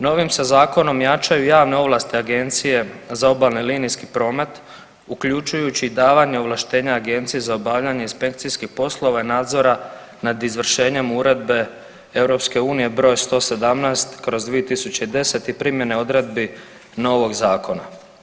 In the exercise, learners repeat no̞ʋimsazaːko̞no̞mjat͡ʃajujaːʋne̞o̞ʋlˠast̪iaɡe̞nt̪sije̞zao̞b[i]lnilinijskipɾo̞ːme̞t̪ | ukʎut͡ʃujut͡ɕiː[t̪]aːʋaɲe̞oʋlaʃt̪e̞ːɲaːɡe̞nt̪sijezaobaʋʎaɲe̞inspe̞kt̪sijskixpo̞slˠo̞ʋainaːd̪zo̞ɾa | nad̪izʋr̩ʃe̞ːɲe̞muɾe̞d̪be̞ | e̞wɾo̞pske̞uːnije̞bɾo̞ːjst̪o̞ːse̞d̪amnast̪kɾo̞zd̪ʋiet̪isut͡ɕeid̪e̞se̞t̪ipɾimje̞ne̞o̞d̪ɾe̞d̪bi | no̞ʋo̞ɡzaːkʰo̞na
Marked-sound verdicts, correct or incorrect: incorrect: a, incorrect: d̪

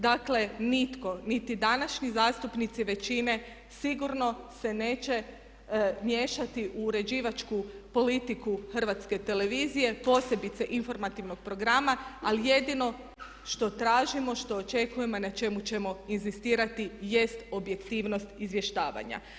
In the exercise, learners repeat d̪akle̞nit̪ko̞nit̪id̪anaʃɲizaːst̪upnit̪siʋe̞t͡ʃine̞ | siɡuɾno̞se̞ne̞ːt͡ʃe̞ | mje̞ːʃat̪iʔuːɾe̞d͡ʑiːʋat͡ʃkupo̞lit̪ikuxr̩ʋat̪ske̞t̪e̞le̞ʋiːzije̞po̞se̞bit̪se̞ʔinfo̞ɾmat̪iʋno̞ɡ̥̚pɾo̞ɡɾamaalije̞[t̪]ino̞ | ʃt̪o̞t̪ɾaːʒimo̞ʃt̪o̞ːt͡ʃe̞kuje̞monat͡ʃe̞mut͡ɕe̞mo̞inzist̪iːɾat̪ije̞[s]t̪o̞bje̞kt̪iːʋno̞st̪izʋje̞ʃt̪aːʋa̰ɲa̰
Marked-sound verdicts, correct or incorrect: incorrect: d̪, correct

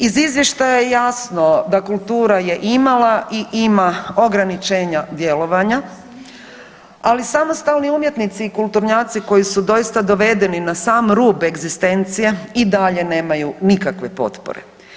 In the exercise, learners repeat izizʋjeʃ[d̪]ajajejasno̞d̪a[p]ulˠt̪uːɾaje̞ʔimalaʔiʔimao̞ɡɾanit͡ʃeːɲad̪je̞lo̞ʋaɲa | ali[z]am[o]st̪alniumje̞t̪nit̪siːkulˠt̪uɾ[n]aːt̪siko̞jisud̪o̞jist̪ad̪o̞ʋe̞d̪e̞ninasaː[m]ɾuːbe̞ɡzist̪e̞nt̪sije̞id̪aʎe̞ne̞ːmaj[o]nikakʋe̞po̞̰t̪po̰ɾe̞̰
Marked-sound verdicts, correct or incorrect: incorrect: t̪, incorrect: k, incorrect: s, correct, incorrect: ɲ, correct, incorrect: u

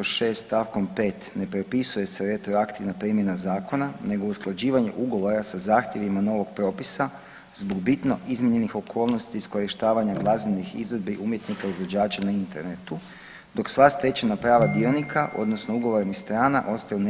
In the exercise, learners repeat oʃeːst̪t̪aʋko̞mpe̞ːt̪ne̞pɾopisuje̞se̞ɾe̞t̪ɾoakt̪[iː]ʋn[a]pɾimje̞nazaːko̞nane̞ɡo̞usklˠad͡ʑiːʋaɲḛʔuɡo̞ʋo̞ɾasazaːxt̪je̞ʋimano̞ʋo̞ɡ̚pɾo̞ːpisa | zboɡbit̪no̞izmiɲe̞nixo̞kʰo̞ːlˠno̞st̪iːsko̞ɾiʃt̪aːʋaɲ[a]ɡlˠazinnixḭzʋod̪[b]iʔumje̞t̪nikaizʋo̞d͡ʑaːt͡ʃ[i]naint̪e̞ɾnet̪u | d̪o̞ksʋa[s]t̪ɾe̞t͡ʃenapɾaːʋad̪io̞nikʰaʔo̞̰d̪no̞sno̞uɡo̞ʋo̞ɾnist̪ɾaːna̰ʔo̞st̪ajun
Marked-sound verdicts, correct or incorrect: incorrect: i, correct, correct, correct, incorrect: a, correct

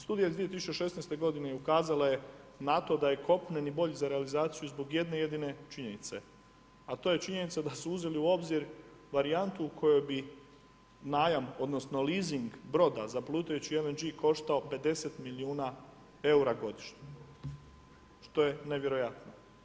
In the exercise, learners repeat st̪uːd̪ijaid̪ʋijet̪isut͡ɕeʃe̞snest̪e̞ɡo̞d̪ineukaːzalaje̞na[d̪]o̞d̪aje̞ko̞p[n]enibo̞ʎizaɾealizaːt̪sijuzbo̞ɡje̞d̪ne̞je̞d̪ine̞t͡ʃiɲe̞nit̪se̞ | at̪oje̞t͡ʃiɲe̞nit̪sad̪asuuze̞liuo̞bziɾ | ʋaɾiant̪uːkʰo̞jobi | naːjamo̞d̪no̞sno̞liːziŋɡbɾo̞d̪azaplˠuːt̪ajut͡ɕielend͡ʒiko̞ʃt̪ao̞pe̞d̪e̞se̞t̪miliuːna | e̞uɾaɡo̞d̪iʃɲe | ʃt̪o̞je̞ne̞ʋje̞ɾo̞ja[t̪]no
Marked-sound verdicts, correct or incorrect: incorrect: t̪, correct, correct

